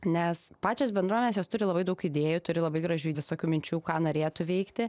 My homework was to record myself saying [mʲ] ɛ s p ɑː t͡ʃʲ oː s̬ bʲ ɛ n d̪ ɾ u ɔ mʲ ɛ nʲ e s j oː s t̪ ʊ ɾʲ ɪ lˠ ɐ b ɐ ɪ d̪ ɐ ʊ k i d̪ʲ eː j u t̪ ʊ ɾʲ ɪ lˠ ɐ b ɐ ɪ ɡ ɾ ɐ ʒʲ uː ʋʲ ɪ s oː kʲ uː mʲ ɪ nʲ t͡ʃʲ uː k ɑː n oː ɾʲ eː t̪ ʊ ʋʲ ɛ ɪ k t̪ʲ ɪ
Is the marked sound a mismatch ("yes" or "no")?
yes